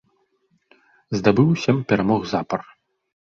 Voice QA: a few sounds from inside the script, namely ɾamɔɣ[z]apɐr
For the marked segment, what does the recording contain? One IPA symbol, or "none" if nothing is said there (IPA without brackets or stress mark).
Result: z